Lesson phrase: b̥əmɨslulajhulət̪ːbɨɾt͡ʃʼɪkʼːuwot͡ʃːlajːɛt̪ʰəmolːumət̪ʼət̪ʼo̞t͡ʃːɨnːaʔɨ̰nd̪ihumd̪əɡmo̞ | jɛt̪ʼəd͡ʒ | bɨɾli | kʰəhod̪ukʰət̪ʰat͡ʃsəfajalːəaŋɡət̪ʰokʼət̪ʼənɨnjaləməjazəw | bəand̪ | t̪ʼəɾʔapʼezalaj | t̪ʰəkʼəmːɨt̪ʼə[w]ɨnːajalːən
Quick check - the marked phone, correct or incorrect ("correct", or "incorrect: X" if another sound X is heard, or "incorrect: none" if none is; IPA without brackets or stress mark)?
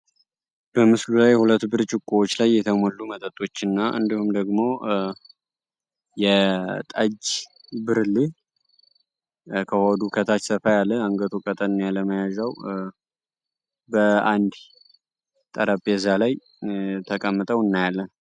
correct